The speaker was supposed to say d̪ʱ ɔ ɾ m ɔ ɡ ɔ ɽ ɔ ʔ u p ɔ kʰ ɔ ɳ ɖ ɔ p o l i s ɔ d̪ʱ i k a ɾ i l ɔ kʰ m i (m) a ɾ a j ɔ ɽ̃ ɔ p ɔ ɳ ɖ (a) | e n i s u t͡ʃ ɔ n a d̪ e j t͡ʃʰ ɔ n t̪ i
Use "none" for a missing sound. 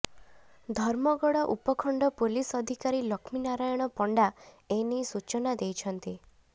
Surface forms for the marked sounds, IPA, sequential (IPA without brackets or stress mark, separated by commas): n, a